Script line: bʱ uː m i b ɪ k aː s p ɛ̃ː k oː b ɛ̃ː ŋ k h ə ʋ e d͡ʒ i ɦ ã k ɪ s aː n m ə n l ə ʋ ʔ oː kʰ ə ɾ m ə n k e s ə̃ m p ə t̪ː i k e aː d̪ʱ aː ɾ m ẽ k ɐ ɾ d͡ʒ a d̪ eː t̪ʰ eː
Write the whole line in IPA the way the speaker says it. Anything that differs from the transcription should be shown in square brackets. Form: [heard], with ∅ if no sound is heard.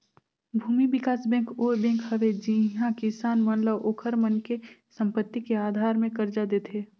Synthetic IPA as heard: bʱ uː m i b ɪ k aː s [b] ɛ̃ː k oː b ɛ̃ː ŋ k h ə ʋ e d͡ʒ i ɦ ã k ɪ s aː n m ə n l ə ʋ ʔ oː kʰ ə ɾ m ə n k e s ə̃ m p ə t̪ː i k e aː d̪ʱ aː ɾ m ẽ k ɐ ɾ d͡ʒ a d̪ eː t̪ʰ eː